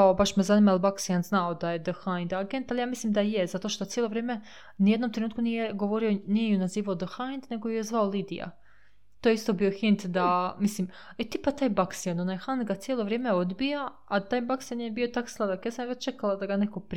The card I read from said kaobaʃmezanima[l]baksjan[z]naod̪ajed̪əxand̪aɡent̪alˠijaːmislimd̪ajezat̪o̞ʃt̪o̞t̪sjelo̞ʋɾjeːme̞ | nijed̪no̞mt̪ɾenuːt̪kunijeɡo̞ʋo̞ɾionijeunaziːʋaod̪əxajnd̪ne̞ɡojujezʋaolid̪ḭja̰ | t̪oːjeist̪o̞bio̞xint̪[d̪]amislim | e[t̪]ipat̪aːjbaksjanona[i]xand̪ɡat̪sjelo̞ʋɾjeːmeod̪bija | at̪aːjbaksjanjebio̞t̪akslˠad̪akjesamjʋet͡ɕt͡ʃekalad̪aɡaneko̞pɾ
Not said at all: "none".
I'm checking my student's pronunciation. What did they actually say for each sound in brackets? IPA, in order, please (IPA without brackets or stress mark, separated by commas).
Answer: l, z, d̪, t̪, j